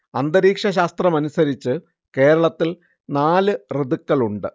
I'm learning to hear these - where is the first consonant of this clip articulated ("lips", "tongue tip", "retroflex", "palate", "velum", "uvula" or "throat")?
tongue tip